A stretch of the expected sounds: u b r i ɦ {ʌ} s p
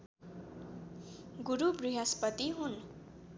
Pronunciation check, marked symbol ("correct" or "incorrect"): incorrect